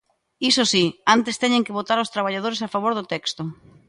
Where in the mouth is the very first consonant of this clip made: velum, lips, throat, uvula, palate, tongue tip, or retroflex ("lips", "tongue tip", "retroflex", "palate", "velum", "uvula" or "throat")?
tongue tip